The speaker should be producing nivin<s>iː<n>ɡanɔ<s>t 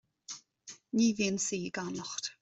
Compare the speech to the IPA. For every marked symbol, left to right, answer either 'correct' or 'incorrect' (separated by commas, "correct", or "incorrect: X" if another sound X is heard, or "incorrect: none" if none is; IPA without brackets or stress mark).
correct, incorrect: none, incorrect: χ